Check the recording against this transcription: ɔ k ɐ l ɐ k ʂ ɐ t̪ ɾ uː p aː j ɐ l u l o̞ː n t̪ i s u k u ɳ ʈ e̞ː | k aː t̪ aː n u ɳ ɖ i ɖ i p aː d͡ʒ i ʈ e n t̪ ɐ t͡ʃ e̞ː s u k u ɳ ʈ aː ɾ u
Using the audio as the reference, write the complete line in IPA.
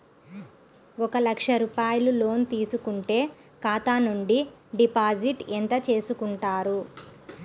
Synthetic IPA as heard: ɔ k ɐ l ɐ k ʂ ɐ ɾ uː p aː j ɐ l u l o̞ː n t̪ iː s u k u ɳ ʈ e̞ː | k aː t̪ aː n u ɳ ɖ i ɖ i p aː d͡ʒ i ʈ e n t̪ ɐ t͡ʃ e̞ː s u k u ɳ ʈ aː ɾ u